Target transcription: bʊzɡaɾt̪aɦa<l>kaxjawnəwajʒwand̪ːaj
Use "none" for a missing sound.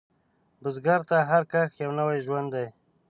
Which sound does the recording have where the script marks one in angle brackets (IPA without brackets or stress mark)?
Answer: ɾ